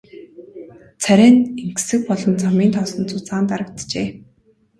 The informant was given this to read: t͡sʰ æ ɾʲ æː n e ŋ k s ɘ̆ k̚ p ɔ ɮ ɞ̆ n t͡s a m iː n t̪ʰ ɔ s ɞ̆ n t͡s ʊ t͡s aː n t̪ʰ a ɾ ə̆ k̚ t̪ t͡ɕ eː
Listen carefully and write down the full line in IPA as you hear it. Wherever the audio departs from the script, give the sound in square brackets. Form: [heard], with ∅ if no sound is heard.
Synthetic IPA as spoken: t͡sʰ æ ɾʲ æː n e ŋ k s ɘ̆ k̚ p ɔ ɮ ɞ̆ n t͡s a m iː n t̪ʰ ɔ s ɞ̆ n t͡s ʊ t͡s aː n [t̪] a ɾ ə̆ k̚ t̪ t͡ɕ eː